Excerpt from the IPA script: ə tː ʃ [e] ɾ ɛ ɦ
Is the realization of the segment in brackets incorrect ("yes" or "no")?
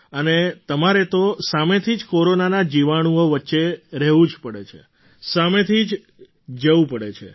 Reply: no